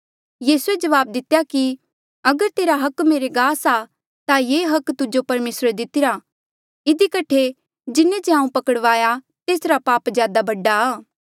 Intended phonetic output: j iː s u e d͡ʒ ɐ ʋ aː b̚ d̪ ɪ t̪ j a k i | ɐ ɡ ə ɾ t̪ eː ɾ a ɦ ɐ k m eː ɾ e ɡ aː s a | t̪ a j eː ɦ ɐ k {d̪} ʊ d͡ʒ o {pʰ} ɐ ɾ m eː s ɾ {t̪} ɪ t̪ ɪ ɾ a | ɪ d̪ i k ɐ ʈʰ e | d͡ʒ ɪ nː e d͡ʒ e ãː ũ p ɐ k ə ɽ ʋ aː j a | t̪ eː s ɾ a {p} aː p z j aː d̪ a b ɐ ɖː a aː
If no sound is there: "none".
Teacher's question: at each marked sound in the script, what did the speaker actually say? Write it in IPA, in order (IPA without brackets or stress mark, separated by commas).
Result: t̪, p, d̪, p